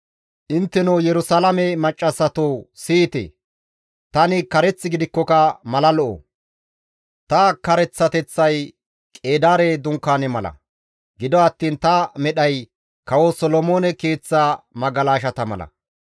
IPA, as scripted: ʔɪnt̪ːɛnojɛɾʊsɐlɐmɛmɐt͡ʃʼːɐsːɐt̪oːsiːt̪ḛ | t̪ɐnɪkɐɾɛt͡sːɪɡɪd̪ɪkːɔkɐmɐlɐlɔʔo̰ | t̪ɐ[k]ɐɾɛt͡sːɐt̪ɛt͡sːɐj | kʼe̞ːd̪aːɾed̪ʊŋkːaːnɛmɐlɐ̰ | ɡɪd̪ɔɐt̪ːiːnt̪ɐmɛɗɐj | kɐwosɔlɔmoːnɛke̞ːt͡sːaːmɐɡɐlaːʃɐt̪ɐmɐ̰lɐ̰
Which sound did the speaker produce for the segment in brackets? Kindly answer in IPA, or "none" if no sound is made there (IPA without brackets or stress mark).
k